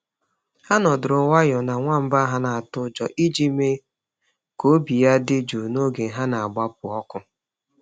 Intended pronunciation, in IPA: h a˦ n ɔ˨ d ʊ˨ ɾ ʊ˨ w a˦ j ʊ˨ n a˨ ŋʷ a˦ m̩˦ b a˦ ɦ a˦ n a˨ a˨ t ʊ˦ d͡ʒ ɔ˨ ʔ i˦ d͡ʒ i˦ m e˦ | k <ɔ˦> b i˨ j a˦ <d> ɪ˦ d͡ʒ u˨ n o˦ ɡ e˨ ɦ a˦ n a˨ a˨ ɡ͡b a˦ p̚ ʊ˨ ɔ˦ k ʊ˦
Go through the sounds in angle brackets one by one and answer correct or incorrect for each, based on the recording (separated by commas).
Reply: incorrect, correct